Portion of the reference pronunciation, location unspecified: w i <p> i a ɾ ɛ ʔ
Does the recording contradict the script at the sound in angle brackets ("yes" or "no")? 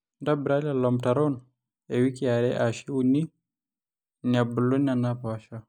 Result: yes